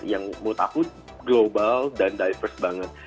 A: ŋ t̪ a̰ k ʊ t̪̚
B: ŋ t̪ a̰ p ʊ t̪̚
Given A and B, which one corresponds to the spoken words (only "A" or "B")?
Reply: A